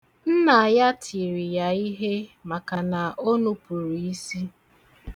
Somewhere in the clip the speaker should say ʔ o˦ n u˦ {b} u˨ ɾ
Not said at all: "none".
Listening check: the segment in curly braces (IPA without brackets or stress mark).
p